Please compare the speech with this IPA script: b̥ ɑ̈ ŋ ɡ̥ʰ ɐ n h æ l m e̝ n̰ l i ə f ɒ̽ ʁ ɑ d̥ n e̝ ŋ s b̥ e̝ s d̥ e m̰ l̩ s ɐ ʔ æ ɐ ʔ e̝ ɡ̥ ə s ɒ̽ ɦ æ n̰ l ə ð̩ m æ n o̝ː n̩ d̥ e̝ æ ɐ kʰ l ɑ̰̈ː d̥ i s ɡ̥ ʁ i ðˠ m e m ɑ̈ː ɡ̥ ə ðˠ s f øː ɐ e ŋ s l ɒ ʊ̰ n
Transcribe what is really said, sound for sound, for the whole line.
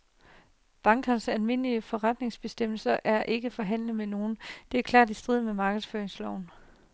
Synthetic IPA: b̥ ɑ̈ ŋ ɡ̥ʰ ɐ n s æ l m e̝ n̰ l i ə f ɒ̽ ʁ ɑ d̥ n e̝ ŋ s b̥ e̝ s d̥ e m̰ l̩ s ɐ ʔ æ ɐ ʔ e̝ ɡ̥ ə f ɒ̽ ɦ æ n̰ l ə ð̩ m e n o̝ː n̩ d̥ e̝ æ ɐ kʰ l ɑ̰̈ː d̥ i s d̥ ʁ i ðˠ m e m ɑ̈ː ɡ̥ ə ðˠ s f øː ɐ e ŋ s l ɒ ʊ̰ n